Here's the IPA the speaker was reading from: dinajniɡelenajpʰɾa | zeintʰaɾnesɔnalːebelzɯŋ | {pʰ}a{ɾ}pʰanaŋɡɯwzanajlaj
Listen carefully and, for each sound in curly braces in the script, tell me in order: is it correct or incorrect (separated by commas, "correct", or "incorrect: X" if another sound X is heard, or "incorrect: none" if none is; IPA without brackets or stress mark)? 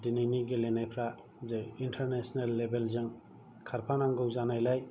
incorrect: kʰ, correct